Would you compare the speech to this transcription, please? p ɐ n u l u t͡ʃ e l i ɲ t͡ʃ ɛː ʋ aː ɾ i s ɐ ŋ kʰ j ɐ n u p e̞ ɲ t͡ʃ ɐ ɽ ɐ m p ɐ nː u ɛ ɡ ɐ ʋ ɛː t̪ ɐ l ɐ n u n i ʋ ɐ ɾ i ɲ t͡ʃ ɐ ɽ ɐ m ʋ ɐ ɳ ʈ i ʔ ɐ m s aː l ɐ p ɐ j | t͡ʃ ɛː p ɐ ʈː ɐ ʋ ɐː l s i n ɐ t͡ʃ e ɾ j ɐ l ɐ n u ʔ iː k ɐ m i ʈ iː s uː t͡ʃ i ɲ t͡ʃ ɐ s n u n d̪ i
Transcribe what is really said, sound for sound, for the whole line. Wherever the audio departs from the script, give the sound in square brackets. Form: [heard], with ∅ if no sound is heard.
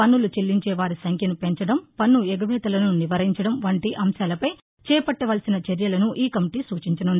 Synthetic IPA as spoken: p ɐ [nː] u l u t͡ʃ e [lː] i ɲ t͡ʃ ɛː ʋ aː ɾ i s ɐ ŋ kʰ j ɐ n u p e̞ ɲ t͡ʃ ɐ ɽ ɐ m p ɐ nː u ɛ ɡ ɐ ʋ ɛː t̪ ɐ l ɐ n u n i ʋ ɐ ɾ i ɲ t͡ʃ ɐ ɽ ɐ m ʋ ɐ ɳ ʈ i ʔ ɐ m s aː l ɐ p ɐ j | t͡ʃ ɛː p ɐ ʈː ɐ ʋ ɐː l s i n ɐ t͡ʃ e ɾ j ɐ l ɐ n u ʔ iː k ɐ m i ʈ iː s uː t͡ʃ i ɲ t͡ʃ ɐ [∅] n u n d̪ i